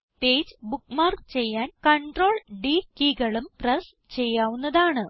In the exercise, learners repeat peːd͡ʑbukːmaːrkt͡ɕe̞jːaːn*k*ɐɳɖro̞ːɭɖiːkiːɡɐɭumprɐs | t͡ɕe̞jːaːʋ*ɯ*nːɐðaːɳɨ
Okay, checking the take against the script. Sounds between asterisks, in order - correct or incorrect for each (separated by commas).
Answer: correct, incorrect